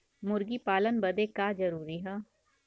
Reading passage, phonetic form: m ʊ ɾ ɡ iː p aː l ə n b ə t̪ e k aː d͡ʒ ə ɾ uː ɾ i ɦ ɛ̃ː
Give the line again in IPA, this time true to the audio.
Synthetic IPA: m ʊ ɾ ɡ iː p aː l ə n b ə d̪ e k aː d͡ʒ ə ɾ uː ɾ i ɦ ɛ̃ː